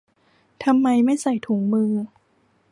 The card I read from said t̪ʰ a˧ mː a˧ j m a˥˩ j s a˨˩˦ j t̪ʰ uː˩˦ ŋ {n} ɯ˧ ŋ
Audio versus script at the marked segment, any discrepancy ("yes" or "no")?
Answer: yes